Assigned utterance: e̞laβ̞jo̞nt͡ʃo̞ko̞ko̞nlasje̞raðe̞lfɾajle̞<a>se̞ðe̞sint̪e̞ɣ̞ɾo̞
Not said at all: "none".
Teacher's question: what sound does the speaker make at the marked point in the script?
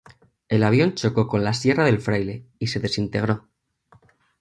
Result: i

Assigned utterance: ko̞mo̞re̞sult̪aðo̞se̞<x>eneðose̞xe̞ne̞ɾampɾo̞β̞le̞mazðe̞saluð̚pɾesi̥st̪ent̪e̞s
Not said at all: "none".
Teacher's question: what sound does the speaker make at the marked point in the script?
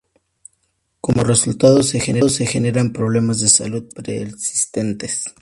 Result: x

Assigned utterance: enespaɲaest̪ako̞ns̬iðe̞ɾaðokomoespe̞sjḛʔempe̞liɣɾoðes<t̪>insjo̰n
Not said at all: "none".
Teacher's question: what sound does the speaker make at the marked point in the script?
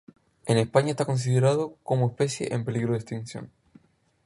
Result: t̪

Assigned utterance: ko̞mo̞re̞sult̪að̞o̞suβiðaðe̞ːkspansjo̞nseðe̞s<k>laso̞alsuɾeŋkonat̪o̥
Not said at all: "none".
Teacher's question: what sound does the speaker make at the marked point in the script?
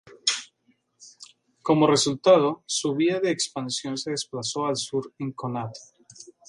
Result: p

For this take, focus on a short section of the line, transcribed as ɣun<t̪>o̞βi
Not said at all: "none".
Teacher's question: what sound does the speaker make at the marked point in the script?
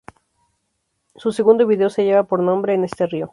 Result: d̪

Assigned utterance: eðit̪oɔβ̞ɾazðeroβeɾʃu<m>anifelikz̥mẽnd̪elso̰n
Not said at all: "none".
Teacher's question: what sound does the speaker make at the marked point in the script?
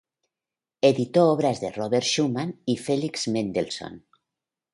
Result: m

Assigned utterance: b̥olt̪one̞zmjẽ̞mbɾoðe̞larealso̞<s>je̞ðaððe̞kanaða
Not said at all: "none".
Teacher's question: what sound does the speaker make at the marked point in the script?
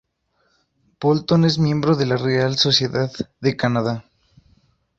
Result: s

